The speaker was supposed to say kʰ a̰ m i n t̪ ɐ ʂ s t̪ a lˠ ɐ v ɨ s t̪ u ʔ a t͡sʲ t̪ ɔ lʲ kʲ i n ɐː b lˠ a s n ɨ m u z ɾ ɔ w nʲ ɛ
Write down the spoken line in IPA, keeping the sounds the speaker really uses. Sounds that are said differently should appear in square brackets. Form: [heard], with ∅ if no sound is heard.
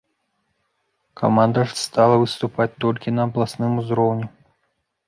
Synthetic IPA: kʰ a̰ m [a] n [d̪] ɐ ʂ s t̪ a lˠ ɐ v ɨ s t̪ u [p] a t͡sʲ t̪ ɔ lʲ kʲ i n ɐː b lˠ a s n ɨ m u z ɾ ɔ w nʲ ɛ